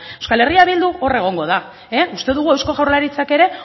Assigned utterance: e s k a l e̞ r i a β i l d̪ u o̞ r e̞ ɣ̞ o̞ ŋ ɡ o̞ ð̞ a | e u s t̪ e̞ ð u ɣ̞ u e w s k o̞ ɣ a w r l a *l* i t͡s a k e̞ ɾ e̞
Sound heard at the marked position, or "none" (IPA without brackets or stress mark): ɾ